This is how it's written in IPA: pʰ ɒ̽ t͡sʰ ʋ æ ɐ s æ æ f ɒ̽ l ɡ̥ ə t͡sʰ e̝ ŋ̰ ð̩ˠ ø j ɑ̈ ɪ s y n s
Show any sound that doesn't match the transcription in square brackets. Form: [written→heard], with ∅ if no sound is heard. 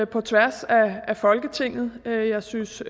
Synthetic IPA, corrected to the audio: pʰ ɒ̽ t͡sʰ ʋ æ ɐ s æ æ f ɒ̽ l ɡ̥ ə t͡sʰ e̝ ŋ̰ ð̩ˠ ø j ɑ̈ ɪ s y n s

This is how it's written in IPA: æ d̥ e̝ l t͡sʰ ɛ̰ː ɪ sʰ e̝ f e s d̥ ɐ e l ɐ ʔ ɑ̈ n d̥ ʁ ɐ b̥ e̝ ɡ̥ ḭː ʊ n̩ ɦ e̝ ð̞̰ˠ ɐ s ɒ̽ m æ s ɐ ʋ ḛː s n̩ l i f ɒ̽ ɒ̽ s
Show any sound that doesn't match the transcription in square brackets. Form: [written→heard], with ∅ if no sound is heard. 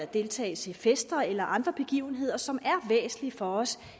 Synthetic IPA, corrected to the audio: æ d̥ e̝ l t͡sʰ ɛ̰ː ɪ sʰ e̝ f e s d̥ ɐ e l ɐ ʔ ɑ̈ n d̥ ʁ ɐ b̥ e̝ ɡ̥ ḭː ʊ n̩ ɦ e̝ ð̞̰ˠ ɐ s ɒ̽ m æ [s→∅] ɐ ʋ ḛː s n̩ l i f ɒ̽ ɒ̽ s

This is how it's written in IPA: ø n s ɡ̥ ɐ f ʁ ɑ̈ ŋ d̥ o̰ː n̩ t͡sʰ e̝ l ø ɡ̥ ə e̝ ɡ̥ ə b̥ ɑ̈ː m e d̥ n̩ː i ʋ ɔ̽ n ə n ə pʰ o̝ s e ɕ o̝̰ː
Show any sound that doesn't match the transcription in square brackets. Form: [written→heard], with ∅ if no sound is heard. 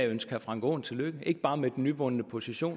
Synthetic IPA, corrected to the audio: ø n s ɡ̥ ɐ f ʁ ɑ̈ ŋ [d̥→ɡ̥] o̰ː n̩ t͡sʰ e̝ l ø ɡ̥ ə e̝ ɡ̥ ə b̥ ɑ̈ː m e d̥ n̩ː [i→y] ʋ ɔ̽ n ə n ə pʰ o̝ s [e→i] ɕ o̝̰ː

